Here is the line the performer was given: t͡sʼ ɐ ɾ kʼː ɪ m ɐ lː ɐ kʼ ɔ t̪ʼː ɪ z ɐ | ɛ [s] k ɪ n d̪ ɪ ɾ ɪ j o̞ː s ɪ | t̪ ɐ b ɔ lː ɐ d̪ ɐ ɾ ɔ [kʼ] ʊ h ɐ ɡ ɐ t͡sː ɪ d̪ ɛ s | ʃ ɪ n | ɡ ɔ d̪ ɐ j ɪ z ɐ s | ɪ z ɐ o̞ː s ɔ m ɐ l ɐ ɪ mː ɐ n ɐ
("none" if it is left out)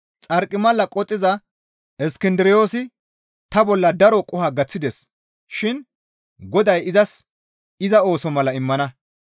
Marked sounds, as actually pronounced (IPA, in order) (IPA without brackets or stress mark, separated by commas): s, kʼ